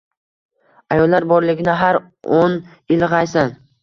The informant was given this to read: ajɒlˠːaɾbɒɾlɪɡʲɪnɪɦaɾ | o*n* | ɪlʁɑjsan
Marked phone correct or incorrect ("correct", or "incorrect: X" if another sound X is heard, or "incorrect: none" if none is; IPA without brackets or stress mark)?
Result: correct